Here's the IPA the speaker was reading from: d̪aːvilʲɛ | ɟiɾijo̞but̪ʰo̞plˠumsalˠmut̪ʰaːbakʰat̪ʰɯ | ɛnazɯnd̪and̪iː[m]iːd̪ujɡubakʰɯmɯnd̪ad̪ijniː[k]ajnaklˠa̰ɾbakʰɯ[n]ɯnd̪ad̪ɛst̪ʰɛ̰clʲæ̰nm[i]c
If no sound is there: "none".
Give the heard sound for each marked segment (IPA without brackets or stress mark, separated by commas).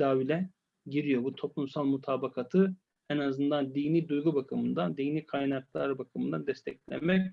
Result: n, kʰ, m, ɛ